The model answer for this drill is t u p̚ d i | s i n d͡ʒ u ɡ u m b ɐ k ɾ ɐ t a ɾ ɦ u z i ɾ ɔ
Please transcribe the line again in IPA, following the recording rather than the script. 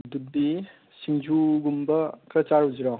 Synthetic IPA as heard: d u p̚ d i | s i ŋ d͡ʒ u ɡ u m b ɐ k ɾ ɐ t͡ʃ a ɾ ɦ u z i ɾ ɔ